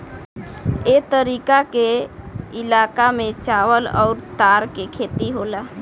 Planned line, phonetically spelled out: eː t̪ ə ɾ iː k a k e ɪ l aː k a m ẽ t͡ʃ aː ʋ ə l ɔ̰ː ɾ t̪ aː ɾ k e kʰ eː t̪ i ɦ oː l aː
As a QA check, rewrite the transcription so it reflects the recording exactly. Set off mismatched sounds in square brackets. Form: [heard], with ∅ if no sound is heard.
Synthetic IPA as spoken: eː t̪ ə ɾ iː k a k e ɪ l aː k a m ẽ t͡ʃ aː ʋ ə l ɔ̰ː ɾ t̪ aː ɾ k e kʰ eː t̪ i ɦ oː l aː